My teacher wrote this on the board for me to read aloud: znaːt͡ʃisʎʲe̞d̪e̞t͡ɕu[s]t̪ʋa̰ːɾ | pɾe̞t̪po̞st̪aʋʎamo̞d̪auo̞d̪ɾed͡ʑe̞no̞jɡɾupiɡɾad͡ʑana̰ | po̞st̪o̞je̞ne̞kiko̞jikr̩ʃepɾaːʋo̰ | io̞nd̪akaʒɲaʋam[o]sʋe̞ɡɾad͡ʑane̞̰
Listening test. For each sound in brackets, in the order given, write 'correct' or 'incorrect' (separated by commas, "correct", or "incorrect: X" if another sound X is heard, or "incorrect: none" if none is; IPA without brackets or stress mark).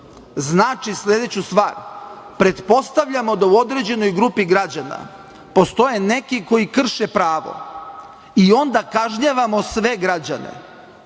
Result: correct, correct